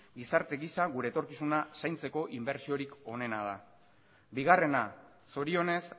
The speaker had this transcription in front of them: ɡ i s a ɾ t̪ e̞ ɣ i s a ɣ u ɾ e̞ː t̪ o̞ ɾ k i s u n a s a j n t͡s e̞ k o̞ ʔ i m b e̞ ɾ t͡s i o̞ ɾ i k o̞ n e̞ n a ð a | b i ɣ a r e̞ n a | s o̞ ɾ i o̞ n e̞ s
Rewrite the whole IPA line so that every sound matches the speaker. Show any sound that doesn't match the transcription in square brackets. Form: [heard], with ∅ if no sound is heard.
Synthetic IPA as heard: ɡ i s a ɾ t̪ e̞ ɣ i s a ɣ u ɾ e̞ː t̪ o̞ ɾ k i s u n a s a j n t͡s e̞ k o̞ ʔ i m b e̞ ɾ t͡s i o̞ ɾ i k o̞ n e̞ n a ð a | b i ɣ a r e̞ n a | s o̞ ɾ i o̞ n e̞ s